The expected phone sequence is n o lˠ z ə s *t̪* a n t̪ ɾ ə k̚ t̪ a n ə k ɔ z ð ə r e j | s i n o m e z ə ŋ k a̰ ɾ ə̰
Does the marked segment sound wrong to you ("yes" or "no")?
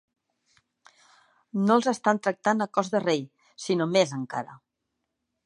no